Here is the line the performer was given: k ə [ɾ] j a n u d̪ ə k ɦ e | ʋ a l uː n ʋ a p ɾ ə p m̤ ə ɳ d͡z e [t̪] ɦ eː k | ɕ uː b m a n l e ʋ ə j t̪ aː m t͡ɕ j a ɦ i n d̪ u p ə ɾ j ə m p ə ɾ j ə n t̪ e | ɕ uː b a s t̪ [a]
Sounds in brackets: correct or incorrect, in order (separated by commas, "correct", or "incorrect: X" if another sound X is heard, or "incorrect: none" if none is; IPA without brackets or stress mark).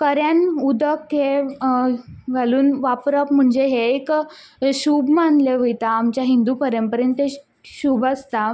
correct, incorrect: none, correct